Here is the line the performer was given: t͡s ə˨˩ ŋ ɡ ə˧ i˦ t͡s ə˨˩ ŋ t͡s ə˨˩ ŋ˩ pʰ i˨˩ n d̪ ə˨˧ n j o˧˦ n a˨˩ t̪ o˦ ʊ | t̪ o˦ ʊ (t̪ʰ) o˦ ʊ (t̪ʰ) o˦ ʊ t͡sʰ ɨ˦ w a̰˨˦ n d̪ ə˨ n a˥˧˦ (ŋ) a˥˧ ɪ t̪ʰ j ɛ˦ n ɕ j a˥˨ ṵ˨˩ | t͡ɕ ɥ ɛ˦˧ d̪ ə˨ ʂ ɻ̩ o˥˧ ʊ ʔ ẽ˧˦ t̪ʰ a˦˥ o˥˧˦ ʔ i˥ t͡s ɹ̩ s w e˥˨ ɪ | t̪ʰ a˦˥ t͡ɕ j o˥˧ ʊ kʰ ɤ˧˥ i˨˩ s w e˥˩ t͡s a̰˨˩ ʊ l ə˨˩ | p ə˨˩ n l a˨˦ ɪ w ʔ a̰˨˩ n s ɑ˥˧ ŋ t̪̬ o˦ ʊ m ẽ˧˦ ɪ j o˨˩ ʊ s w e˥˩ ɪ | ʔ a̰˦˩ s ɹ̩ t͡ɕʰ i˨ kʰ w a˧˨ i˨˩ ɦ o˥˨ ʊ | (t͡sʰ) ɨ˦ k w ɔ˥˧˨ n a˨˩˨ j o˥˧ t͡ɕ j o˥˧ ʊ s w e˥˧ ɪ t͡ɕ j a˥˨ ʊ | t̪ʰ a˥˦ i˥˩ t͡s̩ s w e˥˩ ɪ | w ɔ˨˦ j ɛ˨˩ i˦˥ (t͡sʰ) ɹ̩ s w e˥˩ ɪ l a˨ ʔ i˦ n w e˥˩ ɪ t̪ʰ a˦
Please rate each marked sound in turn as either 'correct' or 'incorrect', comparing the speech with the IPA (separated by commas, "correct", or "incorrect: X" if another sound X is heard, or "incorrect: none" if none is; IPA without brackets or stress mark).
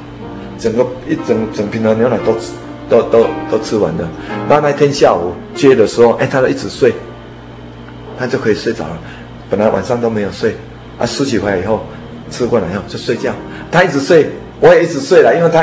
incorrect: t̪, incorrect: t̪, incorrect: n, correct, incorrect: t͡s